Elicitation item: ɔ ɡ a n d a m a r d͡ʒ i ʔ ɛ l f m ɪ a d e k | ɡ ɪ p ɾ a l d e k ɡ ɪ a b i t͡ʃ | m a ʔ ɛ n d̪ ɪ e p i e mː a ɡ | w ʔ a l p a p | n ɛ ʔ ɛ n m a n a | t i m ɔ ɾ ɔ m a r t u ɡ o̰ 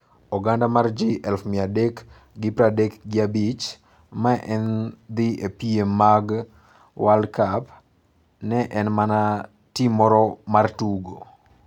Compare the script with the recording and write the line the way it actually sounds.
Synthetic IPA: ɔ ɡ a n d a m a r d͡ʒ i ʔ ɛ l f m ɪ a d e k | ɡ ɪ p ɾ a d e k ɡ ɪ a b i t͡ʃ | m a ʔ ɛ n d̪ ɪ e p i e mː a ɡ | w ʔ a l k a p | n ɛ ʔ ɛ n m a n a | t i m ɔ ɾ ɔ m a r t u ɡ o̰